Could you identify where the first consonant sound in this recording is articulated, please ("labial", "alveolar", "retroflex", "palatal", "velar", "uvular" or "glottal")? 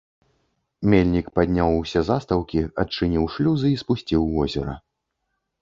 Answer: labial